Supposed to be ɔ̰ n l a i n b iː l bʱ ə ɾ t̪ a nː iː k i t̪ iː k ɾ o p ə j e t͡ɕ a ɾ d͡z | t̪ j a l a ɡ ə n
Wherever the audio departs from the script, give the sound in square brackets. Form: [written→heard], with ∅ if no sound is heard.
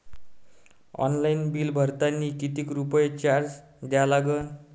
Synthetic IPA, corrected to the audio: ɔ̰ n l a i n b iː l bʱ ə ɾ t̪ a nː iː k i t̪ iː k ɾ [o→u] p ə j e t͡ɕ a ɾ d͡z | [t̪→d̪] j a l a ɡ ə n